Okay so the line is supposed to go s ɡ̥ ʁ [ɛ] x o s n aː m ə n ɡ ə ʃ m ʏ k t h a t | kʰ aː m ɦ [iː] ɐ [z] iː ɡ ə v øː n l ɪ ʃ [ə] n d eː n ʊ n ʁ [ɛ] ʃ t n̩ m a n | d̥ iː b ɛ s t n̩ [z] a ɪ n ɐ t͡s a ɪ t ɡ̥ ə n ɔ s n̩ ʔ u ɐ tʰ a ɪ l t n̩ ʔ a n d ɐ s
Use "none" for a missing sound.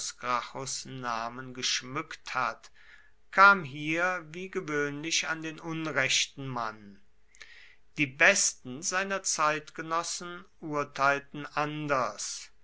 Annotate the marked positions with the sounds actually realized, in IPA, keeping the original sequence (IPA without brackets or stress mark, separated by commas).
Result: a, iː, v, a, ɛ, z